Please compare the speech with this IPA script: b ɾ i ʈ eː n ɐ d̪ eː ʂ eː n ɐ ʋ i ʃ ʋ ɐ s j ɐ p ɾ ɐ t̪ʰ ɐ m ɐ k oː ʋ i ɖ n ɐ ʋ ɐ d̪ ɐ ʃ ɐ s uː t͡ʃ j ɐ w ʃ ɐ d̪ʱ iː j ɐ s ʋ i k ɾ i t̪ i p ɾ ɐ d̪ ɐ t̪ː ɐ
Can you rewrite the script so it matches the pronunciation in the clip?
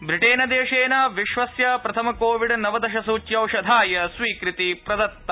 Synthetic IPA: b ɾ i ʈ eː n ɐ d̪ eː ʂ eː n ɐ ʋ i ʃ ʋ ɐ s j ɐ p ɾ ɐ t̪ʰ ɐ m ɐ k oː ʋ i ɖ n ɐ ʋ ɐ d̪ ɐ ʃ ɐ s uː t͡ʃ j ɐ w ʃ ɐ d̪ʱ aː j ɐ s ʋ iː k ɾ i t̪ i p ɾ ɐ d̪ ɐ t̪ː ɐ